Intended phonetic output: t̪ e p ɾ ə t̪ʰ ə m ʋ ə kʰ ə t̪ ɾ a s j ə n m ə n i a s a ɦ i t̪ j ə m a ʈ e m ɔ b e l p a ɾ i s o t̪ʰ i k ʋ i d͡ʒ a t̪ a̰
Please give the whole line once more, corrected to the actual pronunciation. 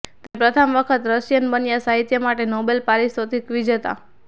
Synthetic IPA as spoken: t̪ e p ɾ ə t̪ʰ ə m ʋ ə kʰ ə t̪ ɾ ə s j ə n b ə n j a s a ɦ i t̪ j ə m a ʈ e n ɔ b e l p a ɾ i s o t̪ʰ i k ʋ i d͡ʒ ə t̪ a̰